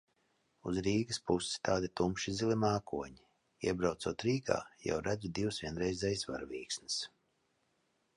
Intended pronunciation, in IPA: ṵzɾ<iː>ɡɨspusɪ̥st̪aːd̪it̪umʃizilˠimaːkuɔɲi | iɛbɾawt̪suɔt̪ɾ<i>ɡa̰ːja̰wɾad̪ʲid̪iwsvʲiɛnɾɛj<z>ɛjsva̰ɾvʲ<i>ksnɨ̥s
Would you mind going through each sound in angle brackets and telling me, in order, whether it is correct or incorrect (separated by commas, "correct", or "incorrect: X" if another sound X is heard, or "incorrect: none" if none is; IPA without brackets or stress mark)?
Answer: correct, incorrect: iː, correct, incorrect: iː